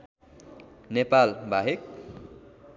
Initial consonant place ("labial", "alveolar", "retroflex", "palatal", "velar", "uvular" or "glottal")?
alveolar